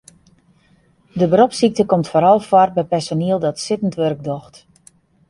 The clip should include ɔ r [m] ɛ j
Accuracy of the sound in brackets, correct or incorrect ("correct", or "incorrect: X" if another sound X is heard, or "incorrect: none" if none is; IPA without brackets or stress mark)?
incorrect: b